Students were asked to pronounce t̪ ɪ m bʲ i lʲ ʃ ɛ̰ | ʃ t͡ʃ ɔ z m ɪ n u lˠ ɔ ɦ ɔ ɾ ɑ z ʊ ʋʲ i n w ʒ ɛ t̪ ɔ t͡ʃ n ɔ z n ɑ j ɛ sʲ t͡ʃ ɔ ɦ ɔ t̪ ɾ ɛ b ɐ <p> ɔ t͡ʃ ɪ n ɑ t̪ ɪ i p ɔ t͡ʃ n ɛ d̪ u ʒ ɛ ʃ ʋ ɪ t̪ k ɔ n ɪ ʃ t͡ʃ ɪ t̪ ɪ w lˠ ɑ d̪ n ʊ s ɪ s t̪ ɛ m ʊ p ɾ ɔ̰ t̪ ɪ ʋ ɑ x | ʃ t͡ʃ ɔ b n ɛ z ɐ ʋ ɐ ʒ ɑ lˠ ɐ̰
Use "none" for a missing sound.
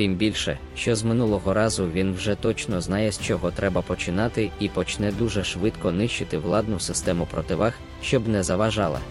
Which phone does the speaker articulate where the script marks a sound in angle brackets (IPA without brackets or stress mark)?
p